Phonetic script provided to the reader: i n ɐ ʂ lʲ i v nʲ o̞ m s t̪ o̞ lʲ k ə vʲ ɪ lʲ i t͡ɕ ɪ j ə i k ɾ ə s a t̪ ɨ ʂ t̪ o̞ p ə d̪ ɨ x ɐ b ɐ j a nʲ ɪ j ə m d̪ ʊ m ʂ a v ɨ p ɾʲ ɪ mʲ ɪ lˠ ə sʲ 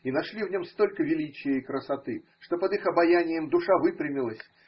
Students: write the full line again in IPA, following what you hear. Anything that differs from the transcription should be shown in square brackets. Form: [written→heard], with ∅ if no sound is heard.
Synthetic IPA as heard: i n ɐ ʂ lʲ i v nʲ o̞ m s t̪ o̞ lʲ k ə vʲ ɪ lʲ i t͡ɕ ɪ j ə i k ɾ ə s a t̪ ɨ ʂ t̪ o̞ p ə d̪ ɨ x ɐ b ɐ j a nʲ ɪ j ə m d̪ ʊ [m→∅] ʂ a v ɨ p ɾʲ ɪ mʲ ɪ lˠ ə sʲ